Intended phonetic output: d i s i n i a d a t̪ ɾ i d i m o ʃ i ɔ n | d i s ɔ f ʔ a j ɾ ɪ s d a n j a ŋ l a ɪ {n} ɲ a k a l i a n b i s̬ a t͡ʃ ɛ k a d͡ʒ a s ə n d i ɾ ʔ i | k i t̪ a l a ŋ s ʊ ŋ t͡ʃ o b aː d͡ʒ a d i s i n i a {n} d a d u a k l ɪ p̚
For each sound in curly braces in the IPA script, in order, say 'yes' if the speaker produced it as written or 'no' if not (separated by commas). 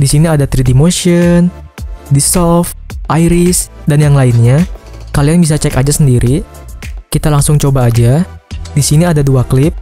yes, no